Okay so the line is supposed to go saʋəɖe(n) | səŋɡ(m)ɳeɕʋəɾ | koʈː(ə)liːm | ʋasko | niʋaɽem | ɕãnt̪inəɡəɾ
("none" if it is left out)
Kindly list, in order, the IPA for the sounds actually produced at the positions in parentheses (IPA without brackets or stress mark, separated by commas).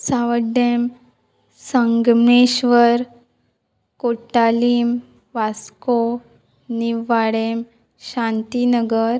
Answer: m, m, a